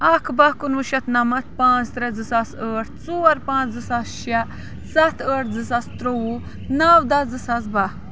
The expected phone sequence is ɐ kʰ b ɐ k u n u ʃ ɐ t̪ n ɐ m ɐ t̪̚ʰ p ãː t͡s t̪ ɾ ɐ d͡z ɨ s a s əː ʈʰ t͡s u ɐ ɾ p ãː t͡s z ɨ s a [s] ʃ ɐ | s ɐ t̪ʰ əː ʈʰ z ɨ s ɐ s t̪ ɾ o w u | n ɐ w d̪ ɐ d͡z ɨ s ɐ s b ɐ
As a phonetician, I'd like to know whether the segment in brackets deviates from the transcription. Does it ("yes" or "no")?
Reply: no